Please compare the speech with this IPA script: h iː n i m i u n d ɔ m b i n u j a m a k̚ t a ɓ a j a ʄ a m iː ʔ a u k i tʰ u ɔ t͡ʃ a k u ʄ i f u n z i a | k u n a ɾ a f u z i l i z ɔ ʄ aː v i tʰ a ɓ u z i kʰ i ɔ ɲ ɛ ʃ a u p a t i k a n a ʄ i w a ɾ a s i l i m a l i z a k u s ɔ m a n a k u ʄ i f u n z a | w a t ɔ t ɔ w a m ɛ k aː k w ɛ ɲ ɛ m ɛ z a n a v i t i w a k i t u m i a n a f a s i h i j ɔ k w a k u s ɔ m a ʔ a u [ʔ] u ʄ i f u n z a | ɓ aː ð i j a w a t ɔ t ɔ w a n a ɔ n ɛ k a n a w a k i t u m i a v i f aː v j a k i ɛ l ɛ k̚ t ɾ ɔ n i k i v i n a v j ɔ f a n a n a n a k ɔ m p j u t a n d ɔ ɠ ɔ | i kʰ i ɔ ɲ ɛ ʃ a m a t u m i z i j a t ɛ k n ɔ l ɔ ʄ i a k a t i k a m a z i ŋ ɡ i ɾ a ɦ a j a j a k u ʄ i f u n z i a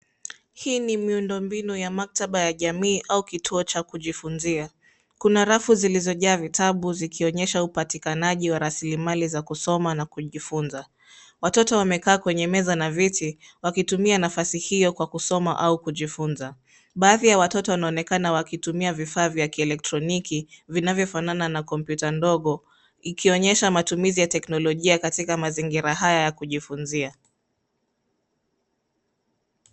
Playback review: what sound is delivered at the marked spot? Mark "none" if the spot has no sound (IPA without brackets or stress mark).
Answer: k